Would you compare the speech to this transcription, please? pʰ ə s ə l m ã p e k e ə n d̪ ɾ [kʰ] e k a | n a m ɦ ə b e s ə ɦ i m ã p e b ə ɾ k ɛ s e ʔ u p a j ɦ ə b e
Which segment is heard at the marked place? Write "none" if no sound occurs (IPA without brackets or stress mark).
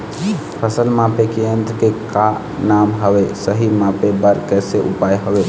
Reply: k